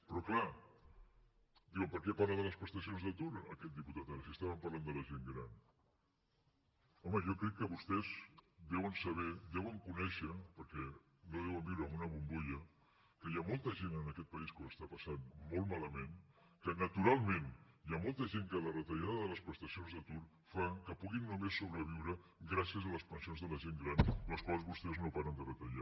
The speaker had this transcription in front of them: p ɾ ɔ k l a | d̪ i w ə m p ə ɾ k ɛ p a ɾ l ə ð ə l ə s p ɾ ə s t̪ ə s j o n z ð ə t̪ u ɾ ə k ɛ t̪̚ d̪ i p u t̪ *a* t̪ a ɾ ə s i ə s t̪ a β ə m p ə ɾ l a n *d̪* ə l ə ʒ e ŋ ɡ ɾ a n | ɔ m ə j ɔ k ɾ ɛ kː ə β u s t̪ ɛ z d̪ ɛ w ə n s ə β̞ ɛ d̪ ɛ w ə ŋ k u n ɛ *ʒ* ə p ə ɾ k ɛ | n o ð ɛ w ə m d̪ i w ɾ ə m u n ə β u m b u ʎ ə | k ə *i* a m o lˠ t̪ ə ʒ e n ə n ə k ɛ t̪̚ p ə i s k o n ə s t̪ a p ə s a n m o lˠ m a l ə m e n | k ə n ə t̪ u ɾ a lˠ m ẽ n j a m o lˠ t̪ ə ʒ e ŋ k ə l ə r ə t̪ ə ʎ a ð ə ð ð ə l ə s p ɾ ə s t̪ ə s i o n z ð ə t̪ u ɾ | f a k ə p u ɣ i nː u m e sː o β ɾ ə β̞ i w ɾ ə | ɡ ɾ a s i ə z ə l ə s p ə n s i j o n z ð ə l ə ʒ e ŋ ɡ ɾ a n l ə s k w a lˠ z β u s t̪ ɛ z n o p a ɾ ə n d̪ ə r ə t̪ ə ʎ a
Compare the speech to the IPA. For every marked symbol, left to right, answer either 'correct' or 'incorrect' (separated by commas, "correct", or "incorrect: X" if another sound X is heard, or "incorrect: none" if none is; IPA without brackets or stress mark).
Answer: correct, correct, incorrect: ʃ, incorrect: j